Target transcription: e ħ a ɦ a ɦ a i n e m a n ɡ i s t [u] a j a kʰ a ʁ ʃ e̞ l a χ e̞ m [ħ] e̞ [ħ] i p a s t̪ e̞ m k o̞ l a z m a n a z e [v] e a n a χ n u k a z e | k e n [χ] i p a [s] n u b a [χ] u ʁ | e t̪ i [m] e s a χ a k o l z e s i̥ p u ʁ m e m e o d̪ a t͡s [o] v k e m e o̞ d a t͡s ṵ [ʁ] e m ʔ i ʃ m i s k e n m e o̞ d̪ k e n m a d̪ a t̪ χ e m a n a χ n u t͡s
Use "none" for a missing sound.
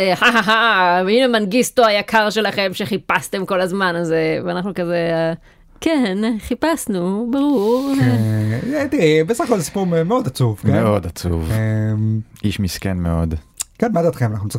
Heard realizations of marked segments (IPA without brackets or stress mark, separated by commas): o, ʃ, χ, v, χ, s, ʁ, b, u, v